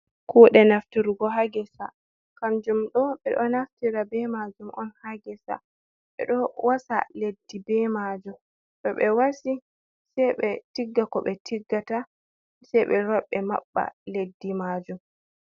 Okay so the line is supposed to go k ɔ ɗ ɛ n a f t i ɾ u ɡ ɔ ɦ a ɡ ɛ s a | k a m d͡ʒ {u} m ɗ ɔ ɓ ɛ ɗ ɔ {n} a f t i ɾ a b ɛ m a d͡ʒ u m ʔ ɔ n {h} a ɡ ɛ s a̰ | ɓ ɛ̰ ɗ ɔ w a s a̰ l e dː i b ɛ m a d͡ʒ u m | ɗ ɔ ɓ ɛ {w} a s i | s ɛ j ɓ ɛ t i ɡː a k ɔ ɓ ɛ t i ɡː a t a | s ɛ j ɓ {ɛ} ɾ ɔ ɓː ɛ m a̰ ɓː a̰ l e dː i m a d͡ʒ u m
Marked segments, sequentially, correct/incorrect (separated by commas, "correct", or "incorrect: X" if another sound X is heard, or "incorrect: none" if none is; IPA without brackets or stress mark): correct, correct, correct, correct, correct